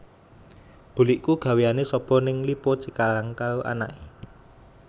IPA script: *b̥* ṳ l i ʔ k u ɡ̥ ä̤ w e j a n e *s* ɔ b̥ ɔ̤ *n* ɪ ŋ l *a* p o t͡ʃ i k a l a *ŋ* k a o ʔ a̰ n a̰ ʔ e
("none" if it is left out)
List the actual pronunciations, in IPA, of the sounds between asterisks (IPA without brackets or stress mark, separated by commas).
b̥, s, n, i, ŋ